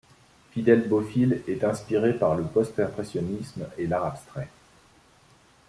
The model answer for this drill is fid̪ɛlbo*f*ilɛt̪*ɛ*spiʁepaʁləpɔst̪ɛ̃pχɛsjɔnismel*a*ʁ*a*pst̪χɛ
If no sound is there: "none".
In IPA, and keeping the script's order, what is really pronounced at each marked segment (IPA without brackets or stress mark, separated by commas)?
f, ɛ̃, a, a